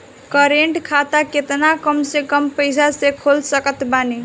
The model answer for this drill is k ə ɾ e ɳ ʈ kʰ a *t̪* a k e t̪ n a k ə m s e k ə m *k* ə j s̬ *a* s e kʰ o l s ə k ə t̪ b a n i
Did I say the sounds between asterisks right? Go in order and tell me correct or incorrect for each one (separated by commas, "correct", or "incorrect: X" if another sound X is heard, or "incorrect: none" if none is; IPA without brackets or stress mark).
correct, incorrect: p, correct